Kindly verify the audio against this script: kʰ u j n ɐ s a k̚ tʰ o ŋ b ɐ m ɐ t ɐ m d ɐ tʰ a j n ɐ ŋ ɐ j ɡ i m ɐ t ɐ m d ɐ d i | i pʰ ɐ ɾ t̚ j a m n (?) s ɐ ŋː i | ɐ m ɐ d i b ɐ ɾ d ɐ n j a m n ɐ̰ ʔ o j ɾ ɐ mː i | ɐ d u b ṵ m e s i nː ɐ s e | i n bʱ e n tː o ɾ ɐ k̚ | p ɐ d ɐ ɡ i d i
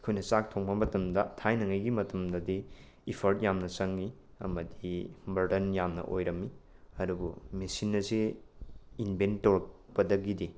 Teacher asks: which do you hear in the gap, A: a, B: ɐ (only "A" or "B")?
B